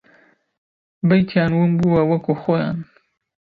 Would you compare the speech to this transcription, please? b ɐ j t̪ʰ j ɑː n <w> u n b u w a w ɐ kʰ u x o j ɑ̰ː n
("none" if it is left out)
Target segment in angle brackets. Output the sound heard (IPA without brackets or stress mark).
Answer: w